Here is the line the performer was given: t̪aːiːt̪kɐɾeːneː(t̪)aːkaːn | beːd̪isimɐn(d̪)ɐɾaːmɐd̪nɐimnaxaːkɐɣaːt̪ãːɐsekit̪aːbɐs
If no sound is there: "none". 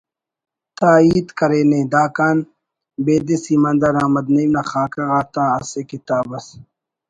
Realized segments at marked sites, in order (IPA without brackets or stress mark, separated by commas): d̪, d̪